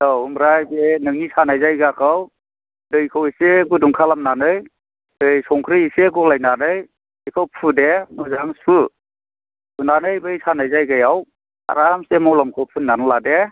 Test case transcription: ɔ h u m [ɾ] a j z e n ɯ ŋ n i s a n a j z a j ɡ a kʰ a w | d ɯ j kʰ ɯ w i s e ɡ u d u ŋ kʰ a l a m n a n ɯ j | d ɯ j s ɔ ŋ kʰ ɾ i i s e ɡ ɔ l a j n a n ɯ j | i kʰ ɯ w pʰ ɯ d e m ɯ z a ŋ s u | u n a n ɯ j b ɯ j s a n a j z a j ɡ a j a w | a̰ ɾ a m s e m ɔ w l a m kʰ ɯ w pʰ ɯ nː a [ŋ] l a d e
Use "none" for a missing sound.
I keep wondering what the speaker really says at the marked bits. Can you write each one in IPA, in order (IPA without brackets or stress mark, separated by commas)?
ɾ, n